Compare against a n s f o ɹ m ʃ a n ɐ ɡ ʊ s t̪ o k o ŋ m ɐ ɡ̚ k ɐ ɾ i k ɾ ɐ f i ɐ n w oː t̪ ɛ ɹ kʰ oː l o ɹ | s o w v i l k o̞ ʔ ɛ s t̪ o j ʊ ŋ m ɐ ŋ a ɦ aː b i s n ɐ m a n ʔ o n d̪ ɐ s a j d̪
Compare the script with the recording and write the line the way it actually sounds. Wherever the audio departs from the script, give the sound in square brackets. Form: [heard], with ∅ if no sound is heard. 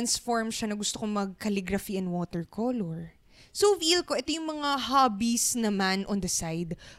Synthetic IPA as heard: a n s f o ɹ m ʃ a n ɐ ɡ ʊ s t̪ o k o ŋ m ɐ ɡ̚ k ɐ [l] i [ɡ] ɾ ɐ f i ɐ n w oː t̪ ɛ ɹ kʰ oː l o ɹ | s o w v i l k o̞ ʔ ɛ [∅] t̪ o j ʊ ŋ m ɐ ŋ a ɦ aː b i s n ɐ m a n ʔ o n d̪ ɐ s a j d̪